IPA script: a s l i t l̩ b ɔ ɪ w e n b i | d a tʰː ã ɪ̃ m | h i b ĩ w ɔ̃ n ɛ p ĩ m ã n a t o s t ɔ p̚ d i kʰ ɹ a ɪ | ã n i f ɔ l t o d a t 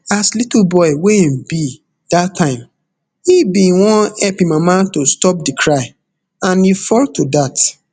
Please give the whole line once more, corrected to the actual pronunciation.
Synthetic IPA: a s l i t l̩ b ɔ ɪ w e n b i | d a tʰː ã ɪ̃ m | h i b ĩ w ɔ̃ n ɛ p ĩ m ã m a t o s t ɔ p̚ d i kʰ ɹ a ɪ | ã n i f ɔ l t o d a t